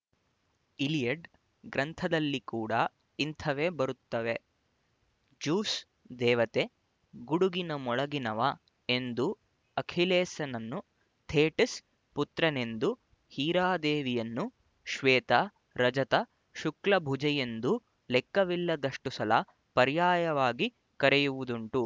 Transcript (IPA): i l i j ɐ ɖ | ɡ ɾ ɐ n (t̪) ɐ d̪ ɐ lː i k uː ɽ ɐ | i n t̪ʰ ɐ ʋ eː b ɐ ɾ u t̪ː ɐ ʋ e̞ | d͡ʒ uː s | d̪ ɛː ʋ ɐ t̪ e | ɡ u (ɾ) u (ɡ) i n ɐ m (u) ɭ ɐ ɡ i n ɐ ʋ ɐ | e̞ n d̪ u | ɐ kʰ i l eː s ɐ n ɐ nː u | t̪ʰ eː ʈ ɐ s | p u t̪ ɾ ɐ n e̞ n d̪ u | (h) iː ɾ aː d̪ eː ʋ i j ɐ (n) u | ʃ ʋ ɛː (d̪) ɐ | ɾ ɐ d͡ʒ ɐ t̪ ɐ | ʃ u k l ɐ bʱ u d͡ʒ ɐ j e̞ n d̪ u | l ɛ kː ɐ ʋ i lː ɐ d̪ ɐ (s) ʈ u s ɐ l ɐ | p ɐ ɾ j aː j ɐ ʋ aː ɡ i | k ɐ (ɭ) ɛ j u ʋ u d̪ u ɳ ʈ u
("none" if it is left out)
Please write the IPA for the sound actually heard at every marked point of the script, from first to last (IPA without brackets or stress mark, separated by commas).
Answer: t̪ʰ, ɽ, ɡ, ɔ, h, nː, t̪, ʂ, ɾ